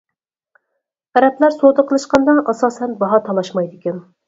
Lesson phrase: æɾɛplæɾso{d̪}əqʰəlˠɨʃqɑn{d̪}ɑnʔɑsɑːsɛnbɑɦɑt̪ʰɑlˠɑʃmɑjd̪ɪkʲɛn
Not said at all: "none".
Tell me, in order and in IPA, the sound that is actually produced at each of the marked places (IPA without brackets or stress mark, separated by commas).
d̪, d̪